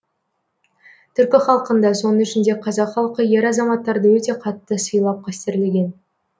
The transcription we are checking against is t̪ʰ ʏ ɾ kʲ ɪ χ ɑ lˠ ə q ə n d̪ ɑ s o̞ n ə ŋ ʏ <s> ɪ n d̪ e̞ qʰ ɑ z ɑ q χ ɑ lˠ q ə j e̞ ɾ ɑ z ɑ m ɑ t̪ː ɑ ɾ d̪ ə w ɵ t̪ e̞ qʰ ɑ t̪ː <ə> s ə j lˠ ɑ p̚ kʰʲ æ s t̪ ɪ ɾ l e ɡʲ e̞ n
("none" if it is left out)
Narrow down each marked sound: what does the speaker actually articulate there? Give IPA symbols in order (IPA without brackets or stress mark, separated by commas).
ʃ, ə